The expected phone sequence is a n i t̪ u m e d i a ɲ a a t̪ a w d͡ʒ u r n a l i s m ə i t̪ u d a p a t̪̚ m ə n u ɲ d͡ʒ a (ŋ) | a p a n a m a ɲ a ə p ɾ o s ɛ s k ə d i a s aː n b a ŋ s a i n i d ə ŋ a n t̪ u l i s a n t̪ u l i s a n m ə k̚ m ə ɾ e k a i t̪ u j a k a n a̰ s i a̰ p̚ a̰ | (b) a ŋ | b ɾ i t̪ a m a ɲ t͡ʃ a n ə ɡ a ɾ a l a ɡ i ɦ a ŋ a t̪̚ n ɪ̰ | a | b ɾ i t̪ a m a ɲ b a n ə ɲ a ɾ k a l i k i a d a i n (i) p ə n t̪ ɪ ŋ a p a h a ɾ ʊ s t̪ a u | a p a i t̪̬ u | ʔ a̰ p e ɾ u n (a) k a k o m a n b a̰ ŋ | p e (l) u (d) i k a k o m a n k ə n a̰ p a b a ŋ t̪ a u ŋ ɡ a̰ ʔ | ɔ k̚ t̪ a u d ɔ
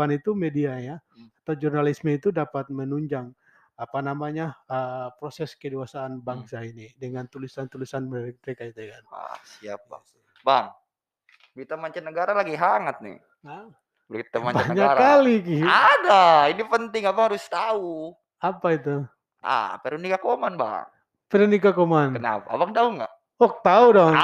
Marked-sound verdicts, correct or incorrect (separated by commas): correct, correct, correct, incorrect, incorrect, incorrect